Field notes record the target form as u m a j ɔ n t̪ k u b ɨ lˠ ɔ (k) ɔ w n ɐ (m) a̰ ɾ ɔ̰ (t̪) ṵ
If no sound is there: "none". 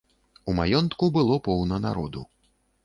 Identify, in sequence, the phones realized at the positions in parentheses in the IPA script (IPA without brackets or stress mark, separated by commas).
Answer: p, n, d̪